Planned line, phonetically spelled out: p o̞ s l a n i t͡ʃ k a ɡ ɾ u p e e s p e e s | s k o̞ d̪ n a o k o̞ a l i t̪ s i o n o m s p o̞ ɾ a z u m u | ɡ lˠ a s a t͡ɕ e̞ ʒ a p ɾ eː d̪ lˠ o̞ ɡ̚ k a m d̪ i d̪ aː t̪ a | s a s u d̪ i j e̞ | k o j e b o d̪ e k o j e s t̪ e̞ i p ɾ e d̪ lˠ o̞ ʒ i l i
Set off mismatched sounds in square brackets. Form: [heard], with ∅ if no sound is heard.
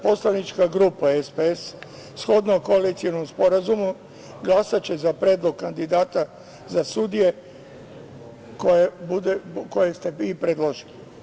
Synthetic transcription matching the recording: p o̞ s l a n i t͡ʃ k a ɡ ɾ u p [a] e s p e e s | s [x] o̞ d̪ n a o k o̞ a l i t̪ s i o n o m s p o̞ ɾ a z u m u | ɡ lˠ a s a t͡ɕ e̞ [z] a p ɾ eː d̪ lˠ o̞ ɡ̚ k a [n] d̪ i d̪ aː t̪ a | [z] a s u d̪ i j e̞ | k o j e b [u] d̪ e k o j e s t̪ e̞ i p ɾ e d̪ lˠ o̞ ʒ i l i